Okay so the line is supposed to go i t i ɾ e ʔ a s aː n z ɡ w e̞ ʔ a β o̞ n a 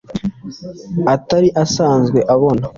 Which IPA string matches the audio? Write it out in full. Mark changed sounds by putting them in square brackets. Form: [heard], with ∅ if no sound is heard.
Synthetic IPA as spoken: [a] t [a] ɾ [i] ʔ a s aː n z ɡ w e̞ ʔ a β o̞ n a